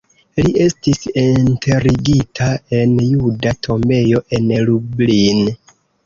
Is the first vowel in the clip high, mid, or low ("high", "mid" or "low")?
high